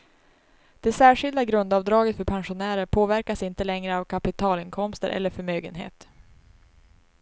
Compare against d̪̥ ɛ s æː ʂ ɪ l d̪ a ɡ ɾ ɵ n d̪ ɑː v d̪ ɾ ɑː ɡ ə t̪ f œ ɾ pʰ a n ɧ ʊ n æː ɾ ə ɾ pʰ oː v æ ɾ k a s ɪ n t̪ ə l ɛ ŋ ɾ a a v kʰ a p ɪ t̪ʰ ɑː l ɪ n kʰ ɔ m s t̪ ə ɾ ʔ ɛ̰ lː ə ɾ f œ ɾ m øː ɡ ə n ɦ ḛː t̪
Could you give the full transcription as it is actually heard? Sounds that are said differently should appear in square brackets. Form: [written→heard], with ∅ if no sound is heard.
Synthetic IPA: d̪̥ ɛ s æː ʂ ɪ l d̪ a ɡ ɾ ɵ n d̪ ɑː v d̪ ɾ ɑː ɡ ə t̪ f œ ɾ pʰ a n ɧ ʊ n æː ɾ ə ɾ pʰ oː v æ ɾ k a s ɪ n t̪ ə l ɛ ŋ ɾ [a→ə] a v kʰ a p ɪ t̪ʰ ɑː l ɪ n kʰ ɔ m s t̪ ə ɾ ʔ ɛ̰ lː ə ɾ f œ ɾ m øː ɡ ə n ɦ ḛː t̪